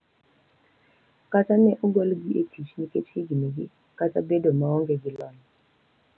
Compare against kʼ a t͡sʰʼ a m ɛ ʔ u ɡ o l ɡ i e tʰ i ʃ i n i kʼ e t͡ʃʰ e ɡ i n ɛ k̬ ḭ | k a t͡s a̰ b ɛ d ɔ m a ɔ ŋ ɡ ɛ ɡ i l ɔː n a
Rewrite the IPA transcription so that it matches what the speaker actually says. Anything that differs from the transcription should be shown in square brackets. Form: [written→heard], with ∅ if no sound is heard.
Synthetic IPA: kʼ a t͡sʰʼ a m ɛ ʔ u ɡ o l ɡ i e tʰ i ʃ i n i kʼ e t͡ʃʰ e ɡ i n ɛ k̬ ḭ | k a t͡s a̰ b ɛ d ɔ m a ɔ ŋ ɡ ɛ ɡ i l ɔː n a